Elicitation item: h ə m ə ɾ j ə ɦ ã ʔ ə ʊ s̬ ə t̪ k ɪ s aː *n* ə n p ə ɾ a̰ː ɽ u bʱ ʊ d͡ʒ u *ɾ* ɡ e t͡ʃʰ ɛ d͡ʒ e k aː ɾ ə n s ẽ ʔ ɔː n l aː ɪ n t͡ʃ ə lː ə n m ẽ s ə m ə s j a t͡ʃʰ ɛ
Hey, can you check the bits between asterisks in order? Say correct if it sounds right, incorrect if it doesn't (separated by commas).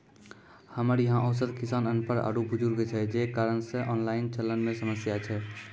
correct, correct